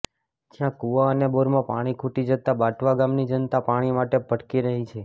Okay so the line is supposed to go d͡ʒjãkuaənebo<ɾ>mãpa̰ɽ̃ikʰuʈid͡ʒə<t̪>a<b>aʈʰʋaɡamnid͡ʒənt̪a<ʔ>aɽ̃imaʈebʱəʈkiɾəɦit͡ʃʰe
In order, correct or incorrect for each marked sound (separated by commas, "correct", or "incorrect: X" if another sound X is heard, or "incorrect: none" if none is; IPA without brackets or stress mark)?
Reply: correct, correct, correct, incorrect: p